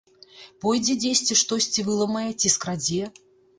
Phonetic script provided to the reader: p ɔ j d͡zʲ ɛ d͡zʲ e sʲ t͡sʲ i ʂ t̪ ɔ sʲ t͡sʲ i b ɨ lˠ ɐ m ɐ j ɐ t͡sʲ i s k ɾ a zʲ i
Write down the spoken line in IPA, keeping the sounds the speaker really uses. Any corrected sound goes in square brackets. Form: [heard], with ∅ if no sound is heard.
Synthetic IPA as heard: p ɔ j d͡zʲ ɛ d͡zʲ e sʲ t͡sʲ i ʂ t̪ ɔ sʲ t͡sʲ i [v] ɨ lˠ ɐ m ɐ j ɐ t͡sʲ i s k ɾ a [d͡zʲ] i